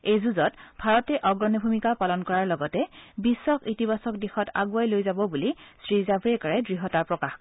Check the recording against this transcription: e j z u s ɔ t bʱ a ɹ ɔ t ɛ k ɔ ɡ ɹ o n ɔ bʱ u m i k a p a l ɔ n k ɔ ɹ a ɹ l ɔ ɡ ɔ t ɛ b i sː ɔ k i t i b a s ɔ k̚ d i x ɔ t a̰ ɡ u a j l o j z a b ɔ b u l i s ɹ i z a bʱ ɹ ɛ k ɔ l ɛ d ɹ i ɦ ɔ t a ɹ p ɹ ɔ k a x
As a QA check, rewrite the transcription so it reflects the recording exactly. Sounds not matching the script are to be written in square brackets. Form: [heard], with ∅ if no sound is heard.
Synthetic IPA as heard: e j z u [z] ɔ t bʱ a ɹ ɔ t ɛ [ʔ] ɔ ɡ ɹ [ɔ] n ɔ bʱ u m i k a p a l ɔ n k ɔ ɹ a ɹ l ɔ ɡ ɔ t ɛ b i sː ɔ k i t i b a s ɔ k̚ d i x ɔ t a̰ ɡ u a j l o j z a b ɔ b u l i s ɹ i z a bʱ ɹ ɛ k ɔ [ɹ] ɛ d ɹ i ɦ ɔ t a ɹ p ɹ ɔ k a x